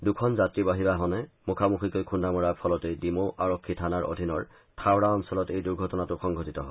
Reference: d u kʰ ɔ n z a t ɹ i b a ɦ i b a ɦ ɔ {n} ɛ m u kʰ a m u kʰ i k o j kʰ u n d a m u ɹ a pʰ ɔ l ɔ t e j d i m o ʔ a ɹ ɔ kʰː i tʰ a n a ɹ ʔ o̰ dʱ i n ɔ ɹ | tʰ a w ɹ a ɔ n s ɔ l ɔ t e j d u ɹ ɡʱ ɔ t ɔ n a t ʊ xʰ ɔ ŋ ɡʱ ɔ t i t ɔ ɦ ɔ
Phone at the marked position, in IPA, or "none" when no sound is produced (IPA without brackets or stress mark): n